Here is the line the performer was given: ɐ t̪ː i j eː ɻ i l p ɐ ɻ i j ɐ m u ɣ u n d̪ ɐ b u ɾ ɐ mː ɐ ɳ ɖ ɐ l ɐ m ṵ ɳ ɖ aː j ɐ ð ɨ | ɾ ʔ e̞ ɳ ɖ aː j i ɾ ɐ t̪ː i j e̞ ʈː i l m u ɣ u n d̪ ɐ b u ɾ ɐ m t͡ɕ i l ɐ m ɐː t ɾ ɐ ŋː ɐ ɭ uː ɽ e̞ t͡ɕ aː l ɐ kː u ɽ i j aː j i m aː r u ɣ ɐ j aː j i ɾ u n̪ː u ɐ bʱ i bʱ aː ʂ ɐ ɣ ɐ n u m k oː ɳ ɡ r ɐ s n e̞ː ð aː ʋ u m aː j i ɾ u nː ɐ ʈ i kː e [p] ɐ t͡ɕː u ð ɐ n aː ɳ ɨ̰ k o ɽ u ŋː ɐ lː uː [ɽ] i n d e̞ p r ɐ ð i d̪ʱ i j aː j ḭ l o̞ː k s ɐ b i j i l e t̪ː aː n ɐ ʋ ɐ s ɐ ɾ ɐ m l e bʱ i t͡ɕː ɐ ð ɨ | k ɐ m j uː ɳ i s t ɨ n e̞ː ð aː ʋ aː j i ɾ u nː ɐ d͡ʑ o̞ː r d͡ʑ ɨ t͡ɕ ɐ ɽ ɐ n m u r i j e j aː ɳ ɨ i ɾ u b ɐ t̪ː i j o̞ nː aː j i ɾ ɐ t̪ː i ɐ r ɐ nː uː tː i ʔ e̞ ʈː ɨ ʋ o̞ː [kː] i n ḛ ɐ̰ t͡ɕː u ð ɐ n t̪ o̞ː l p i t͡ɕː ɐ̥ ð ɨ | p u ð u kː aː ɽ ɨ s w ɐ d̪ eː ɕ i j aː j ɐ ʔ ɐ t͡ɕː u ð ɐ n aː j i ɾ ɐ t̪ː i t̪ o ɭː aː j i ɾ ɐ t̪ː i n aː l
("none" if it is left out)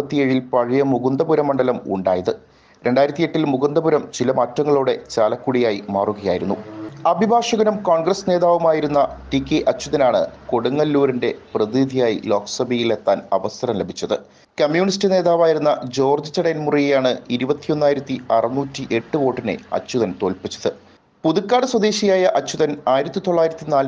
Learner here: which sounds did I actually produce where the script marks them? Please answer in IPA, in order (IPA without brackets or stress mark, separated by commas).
ʔ, ɾ, ʈː